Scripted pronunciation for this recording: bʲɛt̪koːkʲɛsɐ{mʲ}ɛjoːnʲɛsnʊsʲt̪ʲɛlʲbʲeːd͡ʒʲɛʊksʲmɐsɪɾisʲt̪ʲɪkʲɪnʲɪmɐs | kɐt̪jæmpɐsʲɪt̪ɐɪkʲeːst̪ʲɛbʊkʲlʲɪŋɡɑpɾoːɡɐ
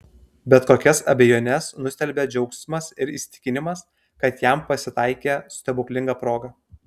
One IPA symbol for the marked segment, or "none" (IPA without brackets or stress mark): bʲ